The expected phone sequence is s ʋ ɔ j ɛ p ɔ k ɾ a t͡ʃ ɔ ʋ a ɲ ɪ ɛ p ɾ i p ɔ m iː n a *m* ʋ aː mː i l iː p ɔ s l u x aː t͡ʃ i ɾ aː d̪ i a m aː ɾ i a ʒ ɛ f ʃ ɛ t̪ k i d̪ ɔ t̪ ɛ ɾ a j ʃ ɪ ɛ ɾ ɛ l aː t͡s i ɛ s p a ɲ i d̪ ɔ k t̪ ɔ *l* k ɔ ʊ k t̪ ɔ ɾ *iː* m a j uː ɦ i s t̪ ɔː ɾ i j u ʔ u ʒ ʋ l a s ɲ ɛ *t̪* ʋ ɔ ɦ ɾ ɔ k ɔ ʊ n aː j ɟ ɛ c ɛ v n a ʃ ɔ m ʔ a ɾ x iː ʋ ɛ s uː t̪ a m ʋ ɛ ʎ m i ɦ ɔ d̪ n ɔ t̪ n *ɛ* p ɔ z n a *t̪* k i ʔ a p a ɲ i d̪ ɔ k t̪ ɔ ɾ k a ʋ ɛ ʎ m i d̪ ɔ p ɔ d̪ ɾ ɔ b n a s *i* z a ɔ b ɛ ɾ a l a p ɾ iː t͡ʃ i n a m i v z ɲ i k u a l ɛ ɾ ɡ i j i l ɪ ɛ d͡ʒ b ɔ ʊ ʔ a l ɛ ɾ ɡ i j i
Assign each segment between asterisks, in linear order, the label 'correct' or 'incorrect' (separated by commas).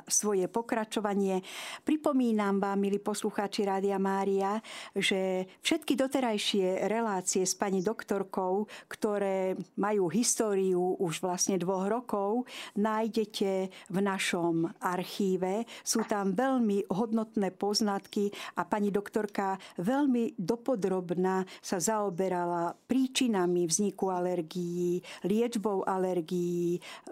correct, incorrect, incorrect, incorrect, incorrect, correct, incorrect